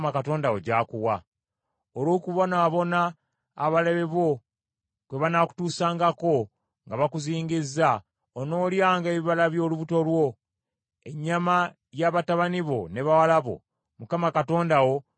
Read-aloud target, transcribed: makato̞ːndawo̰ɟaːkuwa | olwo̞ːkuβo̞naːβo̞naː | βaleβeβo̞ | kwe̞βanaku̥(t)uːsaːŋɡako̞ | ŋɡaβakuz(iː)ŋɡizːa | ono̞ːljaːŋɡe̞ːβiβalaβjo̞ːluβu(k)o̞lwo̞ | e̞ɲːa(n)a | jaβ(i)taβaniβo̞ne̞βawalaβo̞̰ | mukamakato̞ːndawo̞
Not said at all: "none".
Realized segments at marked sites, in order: t, iː, t, m, a

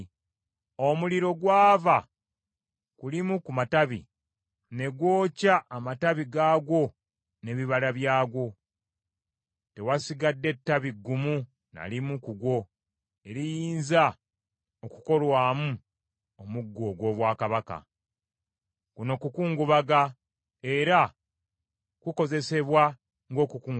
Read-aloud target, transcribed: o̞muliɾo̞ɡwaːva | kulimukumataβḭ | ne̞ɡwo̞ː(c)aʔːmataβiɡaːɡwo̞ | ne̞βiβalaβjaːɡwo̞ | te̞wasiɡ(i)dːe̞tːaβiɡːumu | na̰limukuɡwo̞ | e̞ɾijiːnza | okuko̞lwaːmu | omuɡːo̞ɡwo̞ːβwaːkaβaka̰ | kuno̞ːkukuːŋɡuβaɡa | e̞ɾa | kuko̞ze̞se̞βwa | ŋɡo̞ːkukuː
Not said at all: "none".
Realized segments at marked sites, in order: c, a

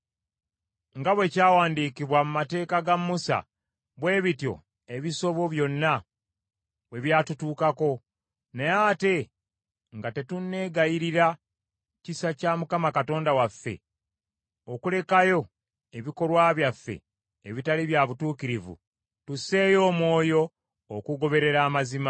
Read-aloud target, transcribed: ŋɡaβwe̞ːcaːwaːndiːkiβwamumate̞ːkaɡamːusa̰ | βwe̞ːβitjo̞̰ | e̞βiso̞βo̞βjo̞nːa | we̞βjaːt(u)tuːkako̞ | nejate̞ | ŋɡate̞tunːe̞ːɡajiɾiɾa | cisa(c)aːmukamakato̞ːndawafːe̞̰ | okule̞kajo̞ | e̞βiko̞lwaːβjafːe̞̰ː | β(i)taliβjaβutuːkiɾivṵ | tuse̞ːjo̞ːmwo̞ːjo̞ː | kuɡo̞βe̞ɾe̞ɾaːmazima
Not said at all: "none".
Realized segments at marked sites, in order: u, c, i

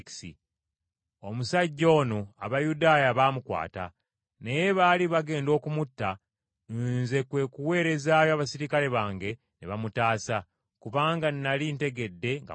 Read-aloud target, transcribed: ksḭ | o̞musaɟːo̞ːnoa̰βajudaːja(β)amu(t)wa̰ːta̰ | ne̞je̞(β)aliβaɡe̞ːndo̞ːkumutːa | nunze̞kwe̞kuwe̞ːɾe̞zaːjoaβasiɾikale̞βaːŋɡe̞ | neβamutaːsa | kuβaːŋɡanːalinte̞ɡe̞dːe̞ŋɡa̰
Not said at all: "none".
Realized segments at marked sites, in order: β, k, β

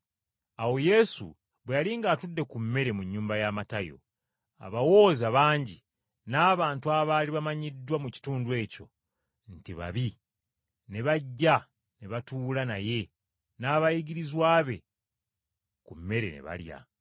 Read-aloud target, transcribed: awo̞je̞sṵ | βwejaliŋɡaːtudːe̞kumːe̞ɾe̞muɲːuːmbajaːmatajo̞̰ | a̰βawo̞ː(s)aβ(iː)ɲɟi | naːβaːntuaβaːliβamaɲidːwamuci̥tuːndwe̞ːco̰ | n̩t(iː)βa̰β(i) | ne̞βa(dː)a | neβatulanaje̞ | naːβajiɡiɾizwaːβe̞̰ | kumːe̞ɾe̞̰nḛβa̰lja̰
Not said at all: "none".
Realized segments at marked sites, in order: z, aː, i, i, ɟː

